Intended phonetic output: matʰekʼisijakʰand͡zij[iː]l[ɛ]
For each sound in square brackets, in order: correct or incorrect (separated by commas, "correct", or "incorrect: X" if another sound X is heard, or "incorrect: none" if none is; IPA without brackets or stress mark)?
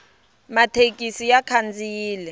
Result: correct, correct